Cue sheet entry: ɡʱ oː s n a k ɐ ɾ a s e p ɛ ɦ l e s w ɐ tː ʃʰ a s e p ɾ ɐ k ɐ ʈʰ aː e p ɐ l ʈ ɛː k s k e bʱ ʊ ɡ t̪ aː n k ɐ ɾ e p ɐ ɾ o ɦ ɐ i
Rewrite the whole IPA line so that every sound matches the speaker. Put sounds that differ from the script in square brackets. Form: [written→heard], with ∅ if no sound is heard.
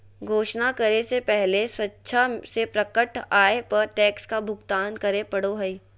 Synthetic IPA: ɡʱ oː [s→ʃ] n a k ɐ ɾ [a→e] s e p ɛ ɦ l e s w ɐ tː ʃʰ a s e p ɾ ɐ k [ɐ→ə] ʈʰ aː e p ɐ [l→ɾ] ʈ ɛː k s k [e→a] bʱ ʊ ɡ t̪ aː n k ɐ ɾ e p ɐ [ɾ→ɽ] o ɦ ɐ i